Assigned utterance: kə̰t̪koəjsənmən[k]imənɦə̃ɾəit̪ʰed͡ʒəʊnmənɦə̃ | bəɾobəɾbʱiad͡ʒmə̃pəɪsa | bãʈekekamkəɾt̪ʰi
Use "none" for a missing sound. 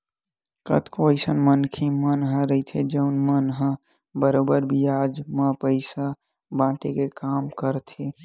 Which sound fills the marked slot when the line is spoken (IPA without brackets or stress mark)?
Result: kʰ